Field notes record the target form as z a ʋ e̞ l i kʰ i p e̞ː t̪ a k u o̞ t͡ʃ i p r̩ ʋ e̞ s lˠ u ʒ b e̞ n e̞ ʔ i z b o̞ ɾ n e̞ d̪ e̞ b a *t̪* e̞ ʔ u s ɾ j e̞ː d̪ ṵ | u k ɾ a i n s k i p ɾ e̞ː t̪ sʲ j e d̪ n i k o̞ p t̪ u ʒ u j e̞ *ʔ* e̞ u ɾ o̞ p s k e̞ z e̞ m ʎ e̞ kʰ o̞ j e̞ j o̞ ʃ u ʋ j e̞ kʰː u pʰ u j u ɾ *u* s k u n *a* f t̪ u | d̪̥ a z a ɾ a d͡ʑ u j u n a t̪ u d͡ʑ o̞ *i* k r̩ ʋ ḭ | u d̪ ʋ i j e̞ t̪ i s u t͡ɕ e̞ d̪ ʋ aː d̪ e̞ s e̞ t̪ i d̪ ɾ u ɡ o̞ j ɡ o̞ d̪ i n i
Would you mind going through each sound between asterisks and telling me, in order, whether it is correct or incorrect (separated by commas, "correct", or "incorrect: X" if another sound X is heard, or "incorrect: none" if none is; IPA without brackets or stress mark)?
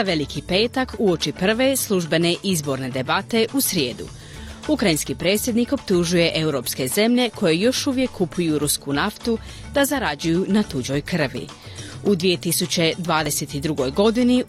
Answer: correct, correct, correct, correct, incorrect: j